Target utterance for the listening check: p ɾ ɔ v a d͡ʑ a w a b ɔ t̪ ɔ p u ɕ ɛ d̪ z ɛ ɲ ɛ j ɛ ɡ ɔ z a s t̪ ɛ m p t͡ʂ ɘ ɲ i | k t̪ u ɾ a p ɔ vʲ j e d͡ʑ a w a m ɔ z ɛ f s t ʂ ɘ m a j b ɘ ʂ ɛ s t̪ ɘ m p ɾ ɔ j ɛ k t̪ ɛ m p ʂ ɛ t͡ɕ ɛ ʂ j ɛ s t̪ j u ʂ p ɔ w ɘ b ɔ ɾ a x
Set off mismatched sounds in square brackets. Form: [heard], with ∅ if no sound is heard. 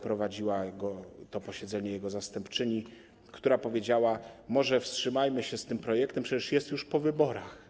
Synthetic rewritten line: p ɾ ɔ v a d͡ʑ [i] w a [ɡ] ɔ t̪ ɔ p [ɔ] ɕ ɛ d̪ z ɛ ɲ ɛ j ɛ ɡ ɔ z a s t̪ ɛ m p t͡ʂ ɘ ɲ i | k t̪ u ɾ a p ɔ vʲ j e d͡ʑ a w a m ɔ [ʐ] ɛ f s t ʂ ɘ m a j [m] ɘ [ɕ] ɛ s t̪ ɘ m p ɾ ɔ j ɛ k t̪ ɛ m p ʂ ɛ t͡ɕ ɛ ʂ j ɛ s t̪ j u ʂ p ɔ [v] ɘ b ɔ ɾ a x